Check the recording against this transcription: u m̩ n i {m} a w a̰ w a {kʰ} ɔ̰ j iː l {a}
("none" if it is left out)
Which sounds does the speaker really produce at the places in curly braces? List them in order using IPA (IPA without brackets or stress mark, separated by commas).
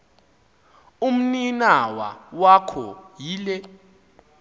n, kʰ, ɛ